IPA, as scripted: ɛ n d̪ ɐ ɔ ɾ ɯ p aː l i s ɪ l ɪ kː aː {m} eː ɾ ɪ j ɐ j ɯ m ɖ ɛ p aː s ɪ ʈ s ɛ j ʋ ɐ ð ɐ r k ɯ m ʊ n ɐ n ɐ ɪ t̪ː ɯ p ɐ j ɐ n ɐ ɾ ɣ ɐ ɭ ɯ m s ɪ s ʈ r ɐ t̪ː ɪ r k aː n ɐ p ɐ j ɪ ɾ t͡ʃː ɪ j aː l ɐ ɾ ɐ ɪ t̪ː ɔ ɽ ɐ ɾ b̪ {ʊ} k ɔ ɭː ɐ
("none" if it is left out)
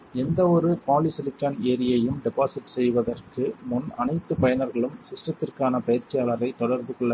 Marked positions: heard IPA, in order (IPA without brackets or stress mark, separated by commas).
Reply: n, ɯ